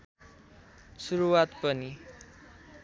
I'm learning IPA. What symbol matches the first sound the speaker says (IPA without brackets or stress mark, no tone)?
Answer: s